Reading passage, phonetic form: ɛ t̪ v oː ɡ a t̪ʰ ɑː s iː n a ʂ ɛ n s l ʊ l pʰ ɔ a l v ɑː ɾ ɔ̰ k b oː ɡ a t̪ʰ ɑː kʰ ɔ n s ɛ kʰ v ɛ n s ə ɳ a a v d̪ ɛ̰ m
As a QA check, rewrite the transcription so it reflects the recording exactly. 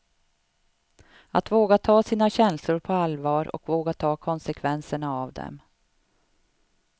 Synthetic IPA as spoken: a t̪ v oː ɡ a t̪ʰ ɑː s iː n a ɕ ɛ n s l ʊ ɾ pʰ ɔ a l v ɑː ɾ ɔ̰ k v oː ɡ a t̪ʰ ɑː kʰ ɔ n s ɛ kʰ v ɛ n s ə ɳ a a v d̪ ɛ̰ m

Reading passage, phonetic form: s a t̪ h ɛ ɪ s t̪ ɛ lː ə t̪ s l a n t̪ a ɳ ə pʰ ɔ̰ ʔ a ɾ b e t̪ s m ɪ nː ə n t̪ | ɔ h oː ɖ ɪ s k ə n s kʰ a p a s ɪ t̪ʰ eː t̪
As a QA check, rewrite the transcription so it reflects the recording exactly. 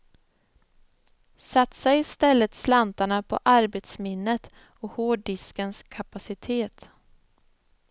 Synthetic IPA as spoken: s a t̪ s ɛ ɪ s t̪ ɛ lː ə t̪ s l a n t̪ a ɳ a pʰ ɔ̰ ʔ a ɾ b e t̪ s m ɪ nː ə t̪ | ɔ h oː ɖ ɪ s k ə n s kʰ a p a s ɪ t̪ʰ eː t̪

